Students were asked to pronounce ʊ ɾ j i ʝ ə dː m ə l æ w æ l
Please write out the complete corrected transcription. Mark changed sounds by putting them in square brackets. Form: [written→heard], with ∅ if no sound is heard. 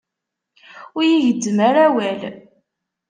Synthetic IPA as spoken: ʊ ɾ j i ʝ ə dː m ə [l→ɾ] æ w æ l